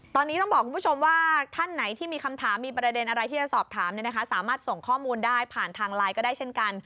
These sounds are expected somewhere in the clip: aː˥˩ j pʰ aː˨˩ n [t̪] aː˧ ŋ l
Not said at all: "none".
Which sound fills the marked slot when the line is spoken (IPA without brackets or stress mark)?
t̪ʰ